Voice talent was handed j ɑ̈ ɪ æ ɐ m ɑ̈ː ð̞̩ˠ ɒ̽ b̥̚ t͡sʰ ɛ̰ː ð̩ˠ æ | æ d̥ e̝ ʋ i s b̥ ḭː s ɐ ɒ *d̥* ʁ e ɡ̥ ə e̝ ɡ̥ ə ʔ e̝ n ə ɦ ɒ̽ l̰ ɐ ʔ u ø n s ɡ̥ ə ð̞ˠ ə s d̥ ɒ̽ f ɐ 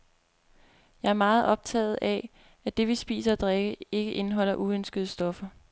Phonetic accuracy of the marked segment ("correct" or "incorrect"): correct